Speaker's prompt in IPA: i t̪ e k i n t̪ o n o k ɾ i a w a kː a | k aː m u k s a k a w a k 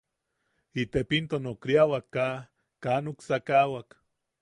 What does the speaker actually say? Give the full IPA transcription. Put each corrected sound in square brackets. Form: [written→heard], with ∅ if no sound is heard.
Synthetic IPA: i t̪ e [k→p] i n t̪ o n o k ɾ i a w a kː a | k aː [m→n] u k s a k a w a k